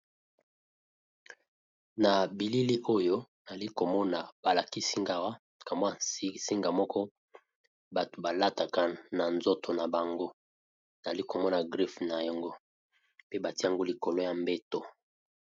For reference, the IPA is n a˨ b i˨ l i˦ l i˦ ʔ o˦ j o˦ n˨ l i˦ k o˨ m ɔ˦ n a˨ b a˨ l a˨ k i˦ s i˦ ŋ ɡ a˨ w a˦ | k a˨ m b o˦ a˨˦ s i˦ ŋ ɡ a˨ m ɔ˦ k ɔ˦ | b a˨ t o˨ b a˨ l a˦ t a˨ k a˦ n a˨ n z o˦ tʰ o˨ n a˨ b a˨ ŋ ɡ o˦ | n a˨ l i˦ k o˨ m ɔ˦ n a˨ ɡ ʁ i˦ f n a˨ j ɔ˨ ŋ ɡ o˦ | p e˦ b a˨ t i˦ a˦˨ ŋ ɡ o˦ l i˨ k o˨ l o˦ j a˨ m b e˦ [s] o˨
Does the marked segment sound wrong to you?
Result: yes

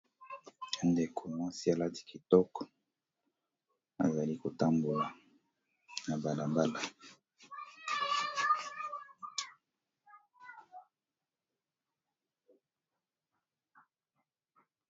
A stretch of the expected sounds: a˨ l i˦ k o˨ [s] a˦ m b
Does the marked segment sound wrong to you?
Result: yes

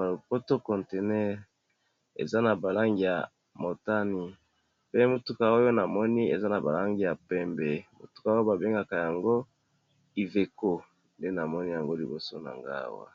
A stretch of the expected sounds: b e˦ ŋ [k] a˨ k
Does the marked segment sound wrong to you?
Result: yes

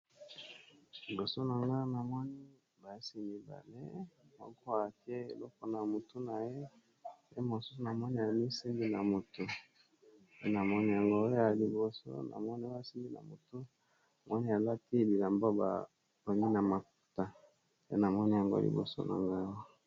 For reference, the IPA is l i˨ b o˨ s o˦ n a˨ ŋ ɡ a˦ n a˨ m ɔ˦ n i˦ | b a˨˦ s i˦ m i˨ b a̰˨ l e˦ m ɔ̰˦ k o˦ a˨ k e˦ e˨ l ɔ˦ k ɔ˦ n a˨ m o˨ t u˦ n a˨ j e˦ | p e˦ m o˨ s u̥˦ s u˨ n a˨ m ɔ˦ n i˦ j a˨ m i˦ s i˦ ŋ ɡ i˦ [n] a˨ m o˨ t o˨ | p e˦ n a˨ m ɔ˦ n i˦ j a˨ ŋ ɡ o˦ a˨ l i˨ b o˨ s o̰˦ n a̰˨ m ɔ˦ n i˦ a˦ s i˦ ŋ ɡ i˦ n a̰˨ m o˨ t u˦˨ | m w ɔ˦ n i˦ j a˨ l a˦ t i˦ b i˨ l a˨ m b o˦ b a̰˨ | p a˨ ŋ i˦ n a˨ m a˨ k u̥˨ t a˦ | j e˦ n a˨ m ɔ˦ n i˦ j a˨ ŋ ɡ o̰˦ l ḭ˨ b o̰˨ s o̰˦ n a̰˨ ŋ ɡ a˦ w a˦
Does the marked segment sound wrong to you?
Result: no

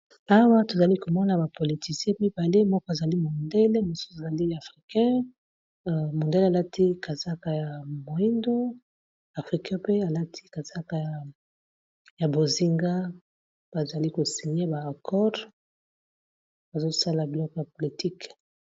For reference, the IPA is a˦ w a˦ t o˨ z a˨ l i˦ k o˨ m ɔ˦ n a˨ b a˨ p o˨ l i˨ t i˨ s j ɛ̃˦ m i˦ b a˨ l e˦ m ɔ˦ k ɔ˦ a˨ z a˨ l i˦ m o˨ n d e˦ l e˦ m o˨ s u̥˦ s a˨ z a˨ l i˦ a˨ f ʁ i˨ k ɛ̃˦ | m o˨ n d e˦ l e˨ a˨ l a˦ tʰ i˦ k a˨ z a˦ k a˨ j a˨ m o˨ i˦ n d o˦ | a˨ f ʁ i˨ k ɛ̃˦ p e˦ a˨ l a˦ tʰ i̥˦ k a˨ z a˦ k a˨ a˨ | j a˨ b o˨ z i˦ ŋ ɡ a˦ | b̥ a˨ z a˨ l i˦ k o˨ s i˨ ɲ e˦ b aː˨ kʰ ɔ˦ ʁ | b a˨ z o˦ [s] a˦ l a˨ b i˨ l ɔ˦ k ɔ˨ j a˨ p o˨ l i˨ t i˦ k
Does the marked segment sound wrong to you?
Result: no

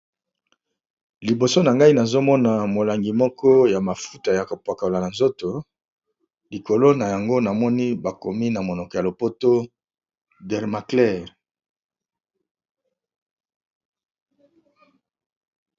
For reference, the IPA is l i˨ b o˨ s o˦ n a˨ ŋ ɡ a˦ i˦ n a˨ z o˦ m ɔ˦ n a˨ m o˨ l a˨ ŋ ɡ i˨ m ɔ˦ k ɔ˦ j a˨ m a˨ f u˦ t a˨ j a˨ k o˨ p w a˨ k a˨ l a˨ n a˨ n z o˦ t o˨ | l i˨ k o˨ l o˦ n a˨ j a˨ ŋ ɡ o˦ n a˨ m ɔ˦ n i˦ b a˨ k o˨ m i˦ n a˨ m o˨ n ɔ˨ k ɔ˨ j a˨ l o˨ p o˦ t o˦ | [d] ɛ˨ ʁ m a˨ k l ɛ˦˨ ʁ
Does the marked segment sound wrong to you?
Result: no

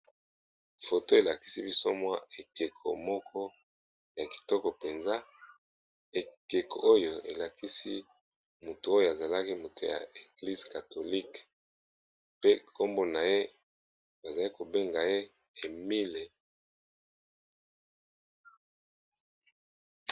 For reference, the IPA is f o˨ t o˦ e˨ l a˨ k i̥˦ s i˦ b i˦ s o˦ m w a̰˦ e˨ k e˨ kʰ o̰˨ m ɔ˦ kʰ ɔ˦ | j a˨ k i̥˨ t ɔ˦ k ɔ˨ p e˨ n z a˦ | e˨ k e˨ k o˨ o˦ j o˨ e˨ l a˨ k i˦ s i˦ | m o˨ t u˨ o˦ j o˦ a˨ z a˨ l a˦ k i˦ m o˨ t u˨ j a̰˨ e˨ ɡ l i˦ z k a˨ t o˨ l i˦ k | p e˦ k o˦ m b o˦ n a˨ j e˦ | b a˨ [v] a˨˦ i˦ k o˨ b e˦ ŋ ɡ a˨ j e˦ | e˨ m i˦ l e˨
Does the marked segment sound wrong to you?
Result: yes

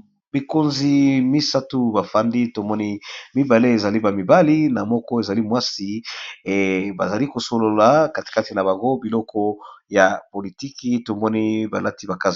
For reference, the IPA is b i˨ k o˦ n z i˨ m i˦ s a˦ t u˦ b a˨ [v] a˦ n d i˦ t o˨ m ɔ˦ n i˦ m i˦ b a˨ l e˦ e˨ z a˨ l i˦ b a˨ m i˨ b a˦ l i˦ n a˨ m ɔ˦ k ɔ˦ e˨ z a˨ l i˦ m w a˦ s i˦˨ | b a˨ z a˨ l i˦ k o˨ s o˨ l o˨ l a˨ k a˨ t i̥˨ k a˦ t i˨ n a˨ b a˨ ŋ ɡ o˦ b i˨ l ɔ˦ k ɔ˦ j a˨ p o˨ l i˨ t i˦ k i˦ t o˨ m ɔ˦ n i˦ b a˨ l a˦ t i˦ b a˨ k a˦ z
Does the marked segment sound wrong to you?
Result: yes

